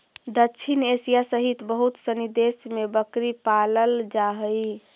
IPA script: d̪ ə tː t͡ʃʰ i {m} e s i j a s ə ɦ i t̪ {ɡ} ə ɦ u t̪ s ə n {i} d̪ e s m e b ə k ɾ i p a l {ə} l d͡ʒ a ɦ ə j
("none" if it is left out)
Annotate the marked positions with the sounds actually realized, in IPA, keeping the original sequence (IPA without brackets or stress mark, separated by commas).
n, b, i, ə